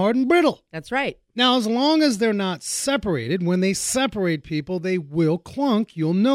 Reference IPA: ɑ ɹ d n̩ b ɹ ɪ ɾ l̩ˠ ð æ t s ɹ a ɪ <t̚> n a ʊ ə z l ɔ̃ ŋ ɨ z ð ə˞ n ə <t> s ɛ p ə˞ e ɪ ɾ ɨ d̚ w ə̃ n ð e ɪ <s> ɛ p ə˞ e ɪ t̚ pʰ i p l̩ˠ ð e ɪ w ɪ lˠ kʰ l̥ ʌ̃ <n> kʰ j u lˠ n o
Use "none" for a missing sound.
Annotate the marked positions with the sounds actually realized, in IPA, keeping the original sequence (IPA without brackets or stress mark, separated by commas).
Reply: t̚, t, s, ŋ